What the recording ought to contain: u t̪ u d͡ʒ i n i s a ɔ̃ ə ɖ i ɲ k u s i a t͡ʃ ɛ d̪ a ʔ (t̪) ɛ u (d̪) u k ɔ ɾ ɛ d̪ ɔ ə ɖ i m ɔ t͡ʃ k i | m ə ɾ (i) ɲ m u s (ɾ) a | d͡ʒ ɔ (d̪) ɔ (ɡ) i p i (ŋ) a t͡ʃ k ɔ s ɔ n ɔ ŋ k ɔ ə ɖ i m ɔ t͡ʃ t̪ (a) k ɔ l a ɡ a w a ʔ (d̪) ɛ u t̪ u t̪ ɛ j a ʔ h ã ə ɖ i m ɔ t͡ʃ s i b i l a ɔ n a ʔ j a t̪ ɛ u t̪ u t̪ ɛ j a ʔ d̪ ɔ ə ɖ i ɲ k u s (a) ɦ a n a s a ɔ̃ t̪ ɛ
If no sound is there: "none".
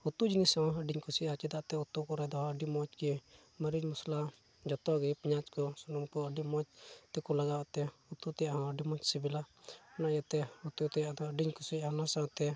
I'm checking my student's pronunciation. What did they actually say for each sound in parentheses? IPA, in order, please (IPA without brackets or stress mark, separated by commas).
t̪, t̪, i, l, t̪, ɡ, ɲ, ɛ, t̪, i